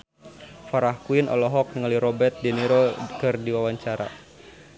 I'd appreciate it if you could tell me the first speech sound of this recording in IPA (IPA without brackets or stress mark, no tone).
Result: f